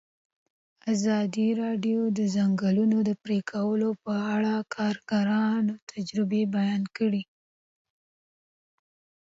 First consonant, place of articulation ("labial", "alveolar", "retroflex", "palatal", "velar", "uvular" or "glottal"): alveolar